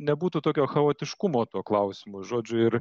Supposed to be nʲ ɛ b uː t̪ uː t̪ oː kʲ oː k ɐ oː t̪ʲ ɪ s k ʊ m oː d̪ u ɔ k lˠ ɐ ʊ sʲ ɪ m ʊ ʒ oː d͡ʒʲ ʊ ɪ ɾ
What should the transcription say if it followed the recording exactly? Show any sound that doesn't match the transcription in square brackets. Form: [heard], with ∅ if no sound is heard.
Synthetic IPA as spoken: nʲ ɛ b uː t̪ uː t̪ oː kʲ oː [x] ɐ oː t̪ʲ ɪ [ʃ] k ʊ m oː [t̪] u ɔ k lˠ ɐ ʊ sʲ ɪ m ʊ ʒ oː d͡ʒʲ ʊ ɪ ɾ